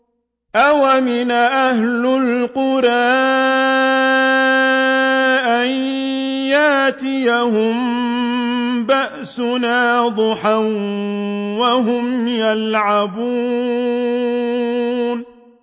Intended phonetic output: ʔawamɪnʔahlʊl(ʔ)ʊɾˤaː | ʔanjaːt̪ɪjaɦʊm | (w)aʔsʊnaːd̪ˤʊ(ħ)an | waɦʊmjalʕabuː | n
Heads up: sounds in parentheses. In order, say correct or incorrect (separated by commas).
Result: incorrect, incorrect, correct